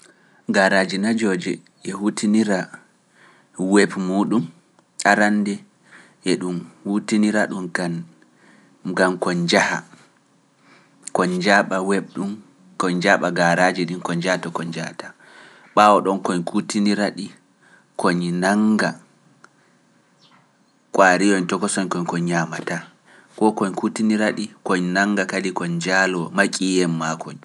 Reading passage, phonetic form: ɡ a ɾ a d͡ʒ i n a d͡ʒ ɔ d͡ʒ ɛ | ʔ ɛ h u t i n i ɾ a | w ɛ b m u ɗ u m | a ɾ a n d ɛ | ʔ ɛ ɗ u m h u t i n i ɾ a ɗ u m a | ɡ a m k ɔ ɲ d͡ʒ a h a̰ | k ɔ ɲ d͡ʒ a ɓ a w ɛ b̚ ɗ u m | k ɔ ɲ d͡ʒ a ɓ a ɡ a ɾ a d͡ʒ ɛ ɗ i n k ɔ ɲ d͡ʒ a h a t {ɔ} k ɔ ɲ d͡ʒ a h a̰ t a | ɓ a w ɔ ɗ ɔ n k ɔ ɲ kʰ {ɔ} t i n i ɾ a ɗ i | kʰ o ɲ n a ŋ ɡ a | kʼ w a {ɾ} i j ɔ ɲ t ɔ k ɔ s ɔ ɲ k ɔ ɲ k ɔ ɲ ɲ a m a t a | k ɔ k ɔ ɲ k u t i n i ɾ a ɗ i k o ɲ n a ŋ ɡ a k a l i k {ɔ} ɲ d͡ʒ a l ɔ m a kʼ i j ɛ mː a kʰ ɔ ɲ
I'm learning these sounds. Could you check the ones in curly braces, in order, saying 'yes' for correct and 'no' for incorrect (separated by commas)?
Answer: yes, no, yes, yes